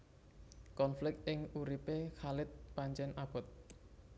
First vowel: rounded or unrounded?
rounded